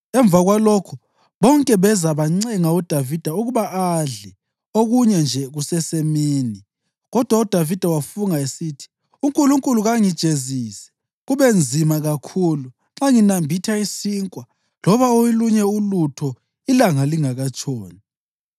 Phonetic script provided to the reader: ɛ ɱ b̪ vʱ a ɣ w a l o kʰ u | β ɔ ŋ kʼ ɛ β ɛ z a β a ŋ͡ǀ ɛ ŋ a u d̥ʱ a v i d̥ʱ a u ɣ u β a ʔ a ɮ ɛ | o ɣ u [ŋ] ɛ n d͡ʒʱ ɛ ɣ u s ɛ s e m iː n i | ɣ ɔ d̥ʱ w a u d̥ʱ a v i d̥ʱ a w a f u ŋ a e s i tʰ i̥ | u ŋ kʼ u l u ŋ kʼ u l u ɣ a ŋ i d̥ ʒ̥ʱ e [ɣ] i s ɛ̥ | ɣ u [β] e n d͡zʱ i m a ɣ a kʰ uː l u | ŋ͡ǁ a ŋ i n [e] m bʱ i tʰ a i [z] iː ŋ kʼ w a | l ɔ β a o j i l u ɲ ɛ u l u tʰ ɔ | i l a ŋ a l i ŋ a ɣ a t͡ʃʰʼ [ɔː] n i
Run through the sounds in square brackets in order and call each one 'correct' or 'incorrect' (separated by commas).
incorrect, incorrect, correct, incorrect, incorrect, correct